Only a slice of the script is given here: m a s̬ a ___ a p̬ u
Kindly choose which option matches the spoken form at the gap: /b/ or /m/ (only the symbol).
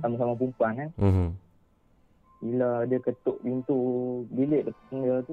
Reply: m